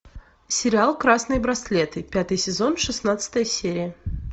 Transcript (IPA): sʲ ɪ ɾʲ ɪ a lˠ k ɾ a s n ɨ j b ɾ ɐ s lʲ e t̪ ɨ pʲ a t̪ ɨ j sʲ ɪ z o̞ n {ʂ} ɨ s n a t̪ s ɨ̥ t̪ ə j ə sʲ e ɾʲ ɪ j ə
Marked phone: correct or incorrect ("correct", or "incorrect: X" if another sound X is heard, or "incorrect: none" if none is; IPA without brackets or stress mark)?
correct